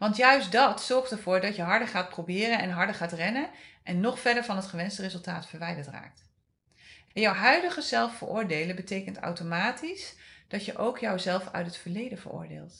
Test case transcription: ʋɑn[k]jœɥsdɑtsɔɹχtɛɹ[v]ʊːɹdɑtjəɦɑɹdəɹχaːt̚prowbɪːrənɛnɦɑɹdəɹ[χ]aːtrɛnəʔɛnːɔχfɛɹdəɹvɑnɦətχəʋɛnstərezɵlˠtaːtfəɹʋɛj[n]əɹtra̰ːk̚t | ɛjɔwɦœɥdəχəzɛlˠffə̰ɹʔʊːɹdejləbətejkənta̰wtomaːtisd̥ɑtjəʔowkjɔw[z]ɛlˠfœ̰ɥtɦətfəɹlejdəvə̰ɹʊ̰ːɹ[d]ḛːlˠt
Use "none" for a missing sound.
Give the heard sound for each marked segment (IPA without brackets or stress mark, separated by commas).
t, v, χ, d, z, d